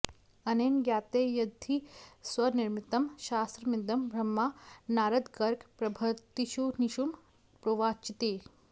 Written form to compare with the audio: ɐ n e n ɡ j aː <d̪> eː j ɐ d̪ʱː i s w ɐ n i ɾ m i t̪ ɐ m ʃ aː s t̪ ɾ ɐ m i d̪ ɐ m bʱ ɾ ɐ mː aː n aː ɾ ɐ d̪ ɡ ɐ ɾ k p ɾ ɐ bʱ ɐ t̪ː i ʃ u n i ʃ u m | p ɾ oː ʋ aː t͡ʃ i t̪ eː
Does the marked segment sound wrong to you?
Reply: yes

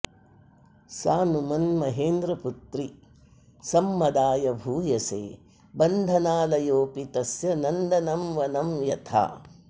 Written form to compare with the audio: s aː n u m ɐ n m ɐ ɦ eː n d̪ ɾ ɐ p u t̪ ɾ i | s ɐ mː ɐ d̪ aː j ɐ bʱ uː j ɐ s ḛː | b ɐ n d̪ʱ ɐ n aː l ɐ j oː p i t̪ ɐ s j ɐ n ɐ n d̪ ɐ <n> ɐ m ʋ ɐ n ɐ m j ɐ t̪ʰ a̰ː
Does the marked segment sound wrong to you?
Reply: no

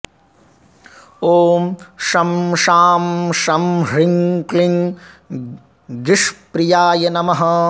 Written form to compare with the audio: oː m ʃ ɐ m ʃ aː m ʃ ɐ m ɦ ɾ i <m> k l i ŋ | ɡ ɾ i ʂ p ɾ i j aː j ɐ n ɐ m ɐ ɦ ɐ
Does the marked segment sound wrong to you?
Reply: yes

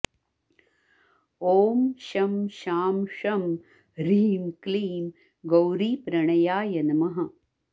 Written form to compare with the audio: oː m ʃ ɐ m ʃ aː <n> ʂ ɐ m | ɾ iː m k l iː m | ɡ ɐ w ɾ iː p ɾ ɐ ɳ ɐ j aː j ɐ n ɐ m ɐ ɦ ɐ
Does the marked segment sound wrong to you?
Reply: yes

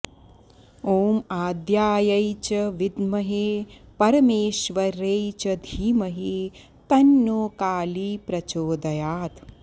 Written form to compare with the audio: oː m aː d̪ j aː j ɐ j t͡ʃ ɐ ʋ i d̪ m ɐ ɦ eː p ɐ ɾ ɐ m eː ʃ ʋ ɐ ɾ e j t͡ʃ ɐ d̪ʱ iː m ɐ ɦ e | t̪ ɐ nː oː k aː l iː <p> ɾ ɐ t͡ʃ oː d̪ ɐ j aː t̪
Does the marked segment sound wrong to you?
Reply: no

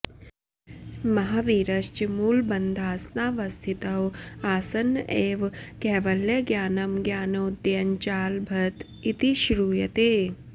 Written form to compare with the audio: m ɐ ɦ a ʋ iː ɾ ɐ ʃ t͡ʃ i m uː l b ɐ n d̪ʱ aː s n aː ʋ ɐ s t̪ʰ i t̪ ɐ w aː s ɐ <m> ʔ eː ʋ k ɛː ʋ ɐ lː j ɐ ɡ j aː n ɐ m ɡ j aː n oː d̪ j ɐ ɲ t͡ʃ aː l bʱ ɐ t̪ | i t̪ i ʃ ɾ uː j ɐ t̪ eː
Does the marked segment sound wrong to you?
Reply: yes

